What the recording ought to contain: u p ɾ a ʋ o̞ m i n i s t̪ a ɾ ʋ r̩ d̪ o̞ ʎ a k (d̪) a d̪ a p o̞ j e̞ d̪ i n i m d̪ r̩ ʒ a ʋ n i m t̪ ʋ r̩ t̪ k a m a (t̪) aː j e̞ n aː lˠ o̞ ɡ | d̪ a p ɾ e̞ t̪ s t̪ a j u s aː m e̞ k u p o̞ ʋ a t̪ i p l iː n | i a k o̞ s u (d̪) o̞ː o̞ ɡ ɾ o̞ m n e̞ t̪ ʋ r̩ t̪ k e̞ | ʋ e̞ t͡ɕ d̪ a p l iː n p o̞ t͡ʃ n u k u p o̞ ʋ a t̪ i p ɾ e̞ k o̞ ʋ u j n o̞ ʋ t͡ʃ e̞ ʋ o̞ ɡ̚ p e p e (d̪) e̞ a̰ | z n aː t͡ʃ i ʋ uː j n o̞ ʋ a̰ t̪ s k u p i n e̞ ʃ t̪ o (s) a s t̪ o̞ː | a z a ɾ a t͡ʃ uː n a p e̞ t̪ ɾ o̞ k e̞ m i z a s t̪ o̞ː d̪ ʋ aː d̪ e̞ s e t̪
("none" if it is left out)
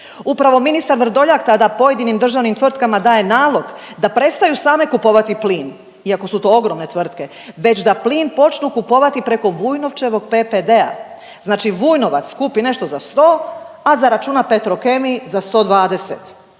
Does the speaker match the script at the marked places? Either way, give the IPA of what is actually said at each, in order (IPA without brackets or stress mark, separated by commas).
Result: t̪, d̪, t̪, d̪, z